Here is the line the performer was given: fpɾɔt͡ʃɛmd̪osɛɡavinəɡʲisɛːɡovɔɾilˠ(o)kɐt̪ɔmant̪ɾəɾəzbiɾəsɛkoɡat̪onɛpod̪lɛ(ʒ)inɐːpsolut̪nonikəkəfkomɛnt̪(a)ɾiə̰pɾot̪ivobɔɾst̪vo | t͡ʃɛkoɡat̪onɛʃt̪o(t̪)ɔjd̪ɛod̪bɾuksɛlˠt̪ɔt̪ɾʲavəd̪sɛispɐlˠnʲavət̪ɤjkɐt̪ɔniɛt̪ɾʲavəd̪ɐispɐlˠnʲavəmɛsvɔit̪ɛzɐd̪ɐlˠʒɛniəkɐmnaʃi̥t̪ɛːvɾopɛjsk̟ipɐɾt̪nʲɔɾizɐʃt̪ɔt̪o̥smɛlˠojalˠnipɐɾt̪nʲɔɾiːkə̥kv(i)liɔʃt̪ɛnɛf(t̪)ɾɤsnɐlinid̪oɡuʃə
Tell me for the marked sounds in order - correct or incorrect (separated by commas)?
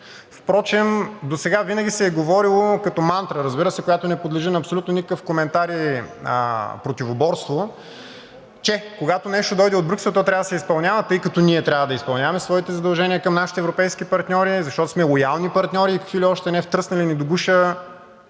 correct, correct, correct, incorrect, correct, correct